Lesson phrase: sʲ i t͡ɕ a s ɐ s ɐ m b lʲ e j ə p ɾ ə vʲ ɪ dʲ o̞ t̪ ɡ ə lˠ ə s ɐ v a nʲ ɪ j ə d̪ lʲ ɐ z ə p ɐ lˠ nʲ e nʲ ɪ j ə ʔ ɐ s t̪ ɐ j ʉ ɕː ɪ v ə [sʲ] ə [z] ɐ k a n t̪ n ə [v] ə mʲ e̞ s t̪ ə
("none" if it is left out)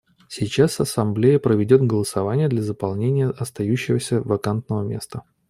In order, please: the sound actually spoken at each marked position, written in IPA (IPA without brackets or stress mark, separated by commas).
sʲ, v, v